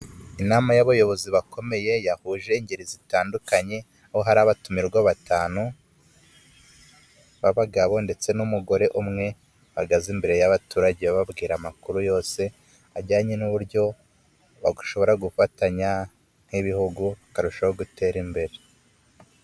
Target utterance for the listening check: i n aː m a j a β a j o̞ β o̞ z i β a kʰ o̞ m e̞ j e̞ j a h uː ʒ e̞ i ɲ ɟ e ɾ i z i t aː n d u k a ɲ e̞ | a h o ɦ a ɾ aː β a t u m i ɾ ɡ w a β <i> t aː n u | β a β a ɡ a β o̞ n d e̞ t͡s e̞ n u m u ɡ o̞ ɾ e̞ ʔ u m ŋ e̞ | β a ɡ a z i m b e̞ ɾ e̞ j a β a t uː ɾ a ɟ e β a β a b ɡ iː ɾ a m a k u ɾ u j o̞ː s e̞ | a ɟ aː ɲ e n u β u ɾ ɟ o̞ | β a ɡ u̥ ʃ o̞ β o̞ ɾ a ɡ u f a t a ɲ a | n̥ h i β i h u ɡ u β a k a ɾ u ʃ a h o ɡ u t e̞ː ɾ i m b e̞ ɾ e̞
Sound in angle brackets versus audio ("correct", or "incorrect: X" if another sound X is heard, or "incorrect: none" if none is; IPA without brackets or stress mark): incorrect: a